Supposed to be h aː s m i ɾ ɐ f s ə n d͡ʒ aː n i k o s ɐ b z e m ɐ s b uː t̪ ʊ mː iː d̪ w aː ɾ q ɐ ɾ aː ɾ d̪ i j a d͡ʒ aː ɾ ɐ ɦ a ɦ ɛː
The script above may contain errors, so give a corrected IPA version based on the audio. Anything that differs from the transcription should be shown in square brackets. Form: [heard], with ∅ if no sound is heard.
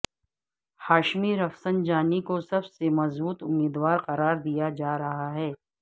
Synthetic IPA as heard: h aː [ʃ] m i ɾ ɐ f s ə n d͡ʒ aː n i k o s ɐ b [s] e m ɐ [z] b uː t̪ ʊ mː iː d̪ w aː ɾ q ɐ ɾ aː ɾ d̪ i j a d͡ʒ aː ɾ ɐ ɦ a ɦ ɛː